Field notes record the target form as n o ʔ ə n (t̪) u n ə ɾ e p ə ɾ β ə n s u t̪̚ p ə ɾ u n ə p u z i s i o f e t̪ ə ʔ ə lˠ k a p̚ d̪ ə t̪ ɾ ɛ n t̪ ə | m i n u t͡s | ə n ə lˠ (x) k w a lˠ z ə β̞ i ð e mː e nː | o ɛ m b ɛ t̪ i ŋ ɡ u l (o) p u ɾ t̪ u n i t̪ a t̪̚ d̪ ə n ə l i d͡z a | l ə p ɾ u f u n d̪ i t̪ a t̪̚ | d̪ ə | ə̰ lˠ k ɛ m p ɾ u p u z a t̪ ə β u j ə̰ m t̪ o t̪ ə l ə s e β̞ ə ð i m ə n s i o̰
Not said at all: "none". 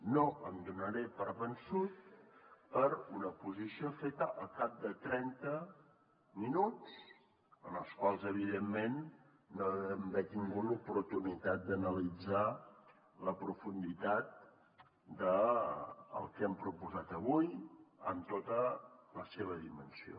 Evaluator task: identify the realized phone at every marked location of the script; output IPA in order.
d̪, s, u

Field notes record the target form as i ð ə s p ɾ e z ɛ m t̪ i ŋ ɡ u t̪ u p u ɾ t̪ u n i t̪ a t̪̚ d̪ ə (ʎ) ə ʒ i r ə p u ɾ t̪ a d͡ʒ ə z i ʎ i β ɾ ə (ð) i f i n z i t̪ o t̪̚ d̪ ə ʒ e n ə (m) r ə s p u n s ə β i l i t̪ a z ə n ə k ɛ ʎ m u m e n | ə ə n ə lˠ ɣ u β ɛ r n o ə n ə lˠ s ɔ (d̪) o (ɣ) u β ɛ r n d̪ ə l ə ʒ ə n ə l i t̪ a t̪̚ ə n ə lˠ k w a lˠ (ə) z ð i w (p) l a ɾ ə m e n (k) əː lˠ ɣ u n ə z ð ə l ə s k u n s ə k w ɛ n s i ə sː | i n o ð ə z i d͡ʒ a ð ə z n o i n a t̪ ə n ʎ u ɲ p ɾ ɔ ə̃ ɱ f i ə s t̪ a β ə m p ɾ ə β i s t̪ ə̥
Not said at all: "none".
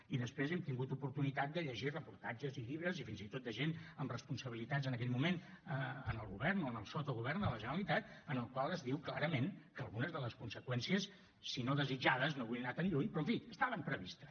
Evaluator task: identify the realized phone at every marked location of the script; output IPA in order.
ʎ, z, m, t̪, ɣ, ə, k, k

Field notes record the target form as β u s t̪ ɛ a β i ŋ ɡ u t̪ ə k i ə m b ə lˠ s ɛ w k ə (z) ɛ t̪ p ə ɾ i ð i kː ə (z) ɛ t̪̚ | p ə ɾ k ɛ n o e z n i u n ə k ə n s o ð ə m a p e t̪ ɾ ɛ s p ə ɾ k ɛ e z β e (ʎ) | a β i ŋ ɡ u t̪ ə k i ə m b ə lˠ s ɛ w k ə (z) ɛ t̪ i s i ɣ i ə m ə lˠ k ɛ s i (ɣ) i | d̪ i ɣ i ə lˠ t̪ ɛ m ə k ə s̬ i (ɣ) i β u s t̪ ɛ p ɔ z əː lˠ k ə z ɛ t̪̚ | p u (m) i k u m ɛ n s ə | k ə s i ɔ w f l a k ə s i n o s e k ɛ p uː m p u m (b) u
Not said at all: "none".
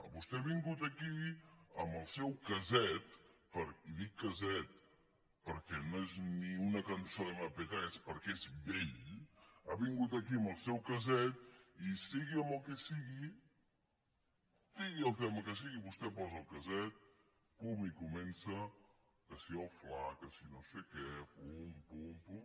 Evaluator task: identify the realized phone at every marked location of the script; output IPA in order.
z, z, ʎ, z, ɣ, ɣ, m, p

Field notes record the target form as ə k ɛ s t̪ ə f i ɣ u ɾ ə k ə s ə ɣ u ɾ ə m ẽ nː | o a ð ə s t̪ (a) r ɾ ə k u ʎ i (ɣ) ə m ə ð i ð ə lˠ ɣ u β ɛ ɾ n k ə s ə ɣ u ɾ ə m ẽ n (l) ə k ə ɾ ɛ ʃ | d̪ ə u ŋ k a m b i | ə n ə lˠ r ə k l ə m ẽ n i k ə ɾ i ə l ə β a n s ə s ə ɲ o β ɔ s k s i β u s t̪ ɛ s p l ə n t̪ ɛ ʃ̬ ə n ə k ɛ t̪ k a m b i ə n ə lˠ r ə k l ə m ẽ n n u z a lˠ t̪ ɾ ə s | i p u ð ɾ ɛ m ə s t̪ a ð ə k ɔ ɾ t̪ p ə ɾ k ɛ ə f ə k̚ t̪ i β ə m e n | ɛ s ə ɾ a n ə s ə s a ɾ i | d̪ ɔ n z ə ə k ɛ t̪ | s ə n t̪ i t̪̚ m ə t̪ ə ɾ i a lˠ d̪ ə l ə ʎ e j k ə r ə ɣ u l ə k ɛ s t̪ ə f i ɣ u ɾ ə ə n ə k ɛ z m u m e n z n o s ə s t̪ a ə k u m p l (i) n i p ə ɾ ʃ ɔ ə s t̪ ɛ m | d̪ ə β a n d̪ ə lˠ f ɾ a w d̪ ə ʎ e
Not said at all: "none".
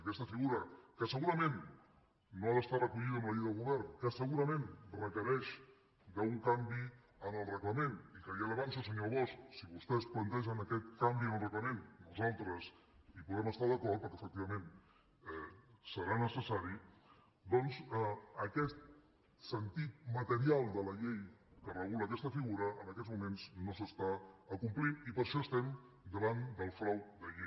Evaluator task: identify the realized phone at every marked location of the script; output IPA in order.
a, ð, r, i

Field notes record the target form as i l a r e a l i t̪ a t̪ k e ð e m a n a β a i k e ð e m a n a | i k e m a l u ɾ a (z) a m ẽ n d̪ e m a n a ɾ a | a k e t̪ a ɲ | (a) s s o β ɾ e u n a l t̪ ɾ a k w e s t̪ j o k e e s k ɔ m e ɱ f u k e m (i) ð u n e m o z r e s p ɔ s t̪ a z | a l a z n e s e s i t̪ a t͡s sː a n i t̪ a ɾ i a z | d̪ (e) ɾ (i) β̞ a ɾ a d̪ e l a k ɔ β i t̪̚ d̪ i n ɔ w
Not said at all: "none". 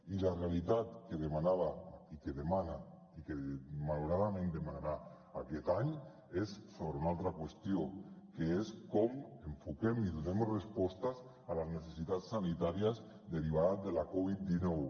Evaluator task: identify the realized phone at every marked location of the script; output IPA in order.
ð, e, i, e, i

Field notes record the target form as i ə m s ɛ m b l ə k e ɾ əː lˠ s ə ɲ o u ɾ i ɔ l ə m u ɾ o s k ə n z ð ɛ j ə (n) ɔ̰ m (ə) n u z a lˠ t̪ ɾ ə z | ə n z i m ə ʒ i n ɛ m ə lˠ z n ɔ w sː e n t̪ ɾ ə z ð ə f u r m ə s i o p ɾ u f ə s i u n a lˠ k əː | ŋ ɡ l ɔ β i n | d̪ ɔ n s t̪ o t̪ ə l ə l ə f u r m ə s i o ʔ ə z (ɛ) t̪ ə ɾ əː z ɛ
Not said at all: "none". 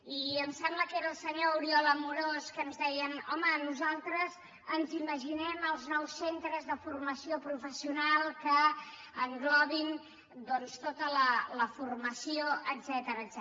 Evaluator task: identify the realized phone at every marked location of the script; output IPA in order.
n, ə, ɛ

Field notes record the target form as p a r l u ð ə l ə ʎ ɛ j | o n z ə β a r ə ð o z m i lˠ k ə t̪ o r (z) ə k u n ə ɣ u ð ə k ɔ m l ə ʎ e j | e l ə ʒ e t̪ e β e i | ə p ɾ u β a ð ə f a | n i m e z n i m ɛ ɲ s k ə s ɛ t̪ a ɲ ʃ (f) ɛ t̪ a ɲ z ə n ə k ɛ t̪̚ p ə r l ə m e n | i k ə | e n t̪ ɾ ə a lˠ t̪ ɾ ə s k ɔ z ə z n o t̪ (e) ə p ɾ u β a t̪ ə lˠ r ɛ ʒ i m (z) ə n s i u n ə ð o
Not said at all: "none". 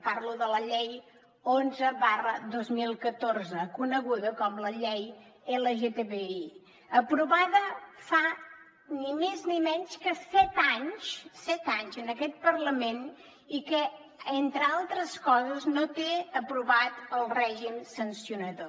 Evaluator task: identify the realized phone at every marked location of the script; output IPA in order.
z, s, e, s

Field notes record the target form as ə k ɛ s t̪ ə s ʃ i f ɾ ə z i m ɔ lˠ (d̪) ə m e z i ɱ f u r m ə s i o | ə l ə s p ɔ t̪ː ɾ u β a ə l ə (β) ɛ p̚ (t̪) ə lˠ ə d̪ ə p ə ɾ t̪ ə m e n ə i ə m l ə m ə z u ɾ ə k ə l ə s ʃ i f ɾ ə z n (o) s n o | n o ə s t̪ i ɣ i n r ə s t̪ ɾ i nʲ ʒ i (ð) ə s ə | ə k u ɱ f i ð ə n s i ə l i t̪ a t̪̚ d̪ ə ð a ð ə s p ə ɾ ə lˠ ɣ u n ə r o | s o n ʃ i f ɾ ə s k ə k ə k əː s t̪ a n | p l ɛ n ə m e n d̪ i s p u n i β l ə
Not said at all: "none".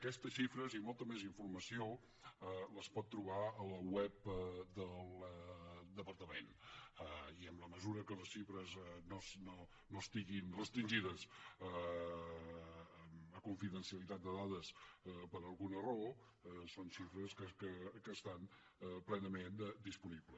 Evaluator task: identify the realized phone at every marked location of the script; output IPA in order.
t̪, w, d̪, o, ð

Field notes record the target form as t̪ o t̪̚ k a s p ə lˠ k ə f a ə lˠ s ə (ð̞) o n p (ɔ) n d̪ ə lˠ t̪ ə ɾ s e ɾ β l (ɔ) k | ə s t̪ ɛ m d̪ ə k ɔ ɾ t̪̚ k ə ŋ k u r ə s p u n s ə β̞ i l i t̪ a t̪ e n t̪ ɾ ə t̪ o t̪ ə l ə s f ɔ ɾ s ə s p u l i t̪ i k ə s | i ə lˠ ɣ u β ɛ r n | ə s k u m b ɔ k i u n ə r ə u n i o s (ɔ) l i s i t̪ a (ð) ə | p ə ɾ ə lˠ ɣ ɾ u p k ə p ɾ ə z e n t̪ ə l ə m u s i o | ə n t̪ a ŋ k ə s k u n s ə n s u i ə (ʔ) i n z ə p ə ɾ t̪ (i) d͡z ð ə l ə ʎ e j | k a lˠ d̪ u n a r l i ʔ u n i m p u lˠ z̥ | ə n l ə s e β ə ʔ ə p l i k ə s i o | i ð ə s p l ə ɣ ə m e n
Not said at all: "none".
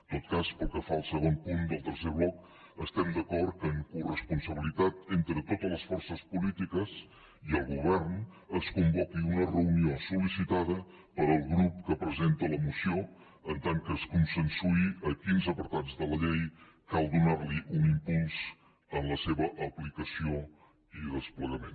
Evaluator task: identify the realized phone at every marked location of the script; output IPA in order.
ɣ̞, u, ɔ, u, ð, k, a

